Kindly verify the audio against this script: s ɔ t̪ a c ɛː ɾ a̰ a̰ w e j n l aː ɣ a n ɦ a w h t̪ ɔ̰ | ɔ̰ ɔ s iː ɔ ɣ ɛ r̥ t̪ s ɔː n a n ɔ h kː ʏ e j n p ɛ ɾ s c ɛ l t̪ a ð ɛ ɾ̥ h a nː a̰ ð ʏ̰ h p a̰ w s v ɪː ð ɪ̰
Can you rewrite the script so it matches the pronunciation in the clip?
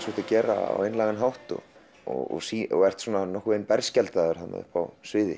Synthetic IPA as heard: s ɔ t̪ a c ɛː ɾ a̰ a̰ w e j n l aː ɣ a n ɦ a w h t̪ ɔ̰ | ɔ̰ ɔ s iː ɔ ɣ ɛ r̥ t̪ s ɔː n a n ɔ h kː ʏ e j n p ɛ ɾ s c ɛ l t̪ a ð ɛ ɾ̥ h a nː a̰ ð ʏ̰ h p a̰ w s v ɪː ð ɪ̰

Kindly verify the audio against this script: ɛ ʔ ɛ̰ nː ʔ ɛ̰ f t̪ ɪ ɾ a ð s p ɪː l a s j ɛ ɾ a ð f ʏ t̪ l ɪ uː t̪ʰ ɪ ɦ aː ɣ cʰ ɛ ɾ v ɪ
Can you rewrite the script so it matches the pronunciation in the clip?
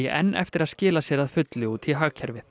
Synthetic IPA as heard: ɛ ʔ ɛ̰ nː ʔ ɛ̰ f t̪ ɪ ɾ a ð s c ɪː l a s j ɛ ɾ a ð f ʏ t̪ l ɪ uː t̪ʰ ɪ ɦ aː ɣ cʰ ɛ ɾ v ɪ

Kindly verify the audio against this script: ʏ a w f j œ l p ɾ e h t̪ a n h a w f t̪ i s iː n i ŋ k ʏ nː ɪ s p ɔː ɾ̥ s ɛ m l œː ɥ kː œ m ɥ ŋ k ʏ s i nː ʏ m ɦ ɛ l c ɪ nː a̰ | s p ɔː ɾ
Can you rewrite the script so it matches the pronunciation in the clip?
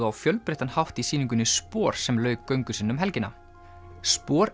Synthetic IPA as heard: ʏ a w f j œ l p ɾ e h t̪ a n h a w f t̪ i s iː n i ŋ k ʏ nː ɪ s p ɔː ɾ̥ s ɛ m l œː ɥ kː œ ɥ ŋ k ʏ s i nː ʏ m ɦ ɛ l c ɪ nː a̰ | s p ɔː ɾ

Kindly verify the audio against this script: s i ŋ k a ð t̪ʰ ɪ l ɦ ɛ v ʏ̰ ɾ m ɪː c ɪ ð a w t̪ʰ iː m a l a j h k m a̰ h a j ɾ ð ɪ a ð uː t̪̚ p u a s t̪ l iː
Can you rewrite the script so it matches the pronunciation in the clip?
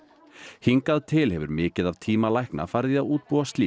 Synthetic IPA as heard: h i ŋ k a ð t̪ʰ ɪ l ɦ ɛ v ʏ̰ ɾ m ɪː c ɪ ð a v t̪ʰ iː m a l a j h k n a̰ f a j ɾ ð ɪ a ð uː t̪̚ p u a s t̪ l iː

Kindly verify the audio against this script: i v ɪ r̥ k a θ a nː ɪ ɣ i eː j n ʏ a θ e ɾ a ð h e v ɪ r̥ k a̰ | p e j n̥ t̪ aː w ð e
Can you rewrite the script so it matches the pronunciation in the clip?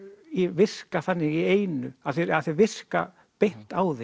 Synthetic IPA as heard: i v ɪ r̥ k a θ a nː ɪ ɣ i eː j n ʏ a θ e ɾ a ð θ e v ɪ r̥ k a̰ | p e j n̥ t̪ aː w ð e

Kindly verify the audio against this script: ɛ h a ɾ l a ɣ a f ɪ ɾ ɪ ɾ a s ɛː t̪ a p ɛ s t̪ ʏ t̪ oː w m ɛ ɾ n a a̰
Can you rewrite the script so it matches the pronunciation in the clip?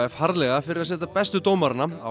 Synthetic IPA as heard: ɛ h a ɾ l ɛ ɣ a f ɪ ɾ ɪ ɾ a s ɛː t̪ a p ɛ s t̪ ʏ t̪ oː w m a ɾ n a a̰

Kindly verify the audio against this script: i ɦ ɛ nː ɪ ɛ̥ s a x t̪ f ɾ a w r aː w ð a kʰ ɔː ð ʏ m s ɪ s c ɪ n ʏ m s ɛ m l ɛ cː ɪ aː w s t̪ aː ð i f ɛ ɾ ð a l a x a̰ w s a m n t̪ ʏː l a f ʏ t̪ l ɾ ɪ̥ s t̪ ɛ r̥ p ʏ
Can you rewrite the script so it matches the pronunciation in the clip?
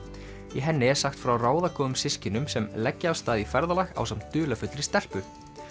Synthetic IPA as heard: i ɦ ɛ nː ɪ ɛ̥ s a x t̪ f ɾ a w r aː w ð a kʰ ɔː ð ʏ m s ɪ s c ɪ n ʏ m s ɛ m l ɛ cː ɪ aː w s t̪ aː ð i f ɛ ɾ ð a l a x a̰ w s a m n t̪ ʏː l a f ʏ t̪ l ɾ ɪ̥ s t̪ ɛ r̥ p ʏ

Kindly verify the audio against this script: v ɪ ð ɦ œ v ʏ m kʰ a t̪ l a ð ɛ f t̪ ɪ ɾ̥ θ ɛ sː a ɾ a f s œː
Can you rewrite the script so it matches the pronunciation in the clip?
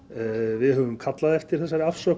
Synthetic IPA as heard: v ɪ ð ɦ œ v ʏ m kʰ a t̪ l a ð ɛ f t̪ ɪ ɾ̥ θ ɛ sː a ɾ a f s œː

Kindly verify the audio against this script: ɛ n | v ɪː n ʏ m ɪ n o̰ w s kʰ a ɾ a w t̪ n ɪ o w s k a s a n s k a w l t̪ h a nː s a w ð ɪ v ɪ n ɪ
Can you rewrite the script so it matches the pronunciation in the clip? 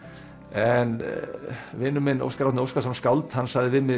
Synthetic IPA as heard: ɛ n | v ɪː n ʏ m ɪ n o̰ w s k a ɾ a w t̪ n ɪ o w s k a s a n s k a w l t̪ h a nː s a ɣ ð ɪ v ɪ m ɪ

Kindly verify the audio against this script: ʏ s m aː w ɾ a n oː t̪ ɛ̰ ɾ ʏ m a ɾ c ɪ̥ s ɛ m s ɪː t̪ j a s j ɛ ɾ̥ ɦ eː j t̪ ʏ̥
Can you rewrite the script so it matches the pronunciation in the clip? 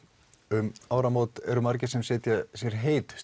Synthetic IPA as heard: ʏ m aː w ɾ a m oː t̪ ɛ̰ ɾ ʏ m a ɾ c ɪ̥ s ɛ m s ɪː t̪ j a s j ɛ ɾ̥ ɦ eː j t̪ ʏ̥

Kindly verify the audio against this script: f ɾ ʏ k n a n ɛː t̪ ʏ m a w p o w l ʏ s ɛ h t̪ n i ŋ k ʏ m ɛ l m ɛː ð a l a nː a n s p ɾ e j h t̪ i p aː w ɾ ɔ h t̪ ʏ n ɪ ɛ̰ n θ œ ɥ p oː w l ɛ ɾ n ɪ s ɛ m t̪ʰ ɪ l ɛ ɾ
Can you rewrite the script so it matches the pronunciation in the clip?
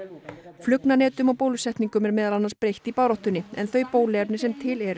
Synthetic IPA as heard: f l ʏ k n a n ɛː t̪ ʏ m a w p o w l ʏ s ɛ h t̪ n i ŋ k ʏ m ɛ ɾ m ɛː ð a l a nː a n s p ɾ e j h t̪ i p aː w ɾ ɔ h t̪ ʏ n ɪ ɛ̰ n θ œ ɥ p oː w l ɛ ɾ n ɪ s ɛ m t̪ʰ ɪ l ɛ ɾ

